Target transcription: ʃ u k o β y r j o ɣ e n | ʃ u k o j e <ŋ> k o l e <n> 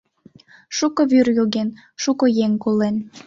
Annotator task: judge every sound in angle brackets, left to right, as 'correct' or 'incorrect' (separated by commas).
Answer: correct, correct